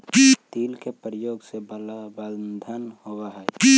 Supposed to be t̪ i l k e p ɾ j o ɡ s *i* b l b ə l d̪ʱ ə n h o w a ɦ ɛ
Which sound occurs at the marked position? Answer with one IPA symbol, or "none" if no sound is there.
e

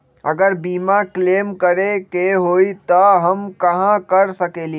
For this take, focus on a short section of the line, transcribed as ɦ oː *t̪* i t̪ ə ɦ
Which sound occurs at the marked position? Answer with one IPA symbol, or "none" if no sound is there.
none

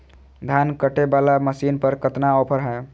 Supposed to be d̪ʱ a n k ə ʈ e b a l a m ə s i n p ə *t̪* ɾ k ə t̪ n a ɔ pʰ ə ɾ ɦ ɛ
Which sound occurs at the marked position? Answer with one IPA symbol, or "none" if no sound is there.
none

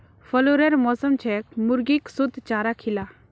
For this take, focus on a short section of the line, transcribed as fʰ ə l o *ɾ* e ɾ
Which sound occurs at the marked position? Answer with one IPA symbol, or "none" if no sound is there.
ɾ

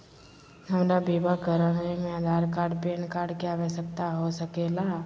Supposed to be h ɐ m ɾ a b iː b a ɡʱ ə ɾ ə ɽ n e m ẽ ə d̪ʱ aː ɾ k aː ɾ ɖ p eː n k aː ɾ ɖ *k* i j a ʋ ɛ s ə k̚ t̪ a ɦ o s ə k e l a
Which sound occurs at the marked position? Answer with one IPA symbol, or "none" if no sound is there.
k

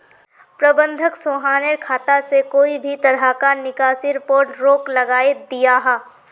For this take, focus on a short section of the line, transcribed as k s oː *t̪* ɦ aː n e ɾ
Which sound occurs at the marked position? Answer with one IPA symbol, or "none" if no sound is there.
none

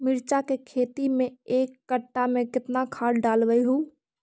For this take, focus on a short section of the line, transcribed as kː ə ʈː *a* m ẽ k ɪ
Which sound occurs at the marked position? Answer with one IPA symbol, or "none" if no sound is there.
a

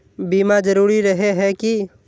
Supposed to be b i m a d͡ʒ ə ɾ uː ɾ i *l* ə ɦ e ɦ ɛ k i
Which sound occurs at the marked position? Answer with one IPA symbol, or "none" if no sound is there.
ɾ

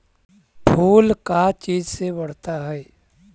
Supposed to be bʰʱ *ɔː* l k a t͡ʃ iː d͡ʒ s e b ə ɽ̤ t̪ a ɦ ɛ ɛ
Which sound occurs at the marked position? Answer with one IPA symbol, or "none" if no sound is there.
uː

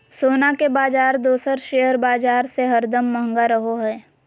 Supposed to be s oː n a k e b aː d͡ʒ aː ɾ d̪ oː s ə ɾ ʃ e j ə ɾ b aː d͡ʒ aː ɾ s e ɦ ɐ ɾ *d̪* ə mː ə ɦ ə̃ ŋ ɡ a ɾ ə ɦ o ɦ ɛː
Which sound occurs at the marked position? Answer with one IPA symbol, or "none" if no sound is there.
d̪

